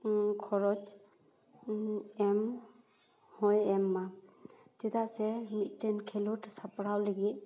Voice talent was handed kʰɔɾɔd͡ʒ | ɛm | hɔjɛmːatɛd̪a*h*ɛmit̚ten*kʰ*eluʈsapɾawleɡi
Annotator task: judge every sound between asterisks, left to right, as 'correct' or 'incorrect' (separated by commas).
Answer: incorrect, correct